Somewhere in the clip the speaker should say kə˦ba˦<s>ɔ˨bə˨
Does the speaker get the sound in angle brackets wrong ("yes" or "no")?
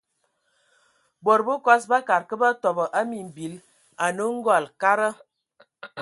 yes